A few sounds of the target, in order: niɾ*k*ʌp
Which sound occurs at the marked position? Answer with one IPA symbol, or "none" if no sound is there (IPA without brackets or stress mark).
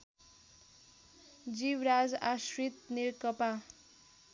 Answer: k